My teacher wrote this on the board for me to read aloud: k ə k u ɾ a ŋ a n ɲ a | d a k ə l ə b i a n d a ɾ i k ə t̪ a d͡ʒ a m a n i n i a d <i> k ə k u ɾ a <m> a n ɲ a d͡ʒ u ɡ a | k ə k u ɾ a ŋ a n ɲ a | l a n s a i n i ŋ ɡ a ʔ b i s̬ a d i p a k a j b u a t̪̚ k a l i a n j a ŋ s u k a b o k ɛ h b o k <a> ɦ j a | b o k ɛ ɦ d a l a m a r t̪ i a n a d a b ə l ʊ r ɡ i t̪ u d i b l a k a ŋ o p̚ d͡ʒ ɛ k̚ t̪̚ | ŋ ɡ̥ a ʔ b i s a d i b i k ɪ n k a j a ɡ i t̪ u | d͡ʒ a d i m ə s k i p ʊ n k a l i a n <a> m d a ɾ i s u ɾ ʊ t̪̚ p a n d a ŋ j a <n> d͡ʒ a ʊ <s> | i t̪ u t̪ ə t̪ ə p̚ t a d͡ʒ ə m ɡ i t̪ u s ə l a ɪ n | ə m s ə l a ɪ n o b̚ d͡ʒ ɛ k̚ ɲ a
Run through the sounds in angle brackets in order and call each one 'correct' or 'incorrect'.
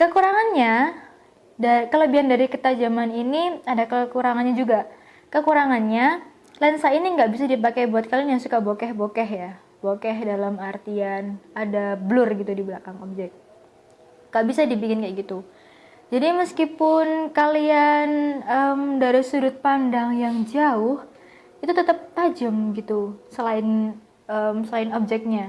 incorrect: a, incorrect: ŋ, incorrect: ɛ, incorrect: ə, incorrect: ŋ, incorrect: h

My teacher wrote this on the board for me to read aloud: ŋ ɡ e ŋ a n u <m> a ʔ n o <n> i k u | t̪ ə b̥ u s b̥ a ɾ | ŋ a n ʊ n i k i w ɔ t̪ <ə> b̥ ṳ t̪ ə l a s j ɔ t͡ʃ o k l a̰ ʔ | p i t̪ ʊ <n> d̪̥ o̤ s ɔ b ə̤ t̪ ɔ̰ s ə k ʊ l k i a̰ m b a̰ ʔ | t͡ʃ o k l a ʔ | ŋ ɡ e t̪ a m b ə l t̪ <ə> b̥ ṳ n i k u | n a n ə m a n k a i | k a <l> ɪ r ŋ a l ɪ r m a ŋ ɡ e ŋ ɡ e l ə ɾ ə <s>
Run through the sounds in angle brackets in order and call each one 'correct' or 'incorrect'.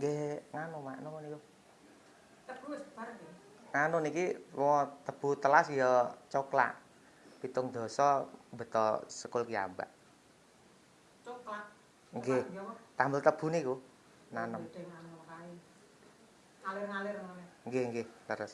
correct, correct, correct, incorrect: ŋ, correct, correct, correct

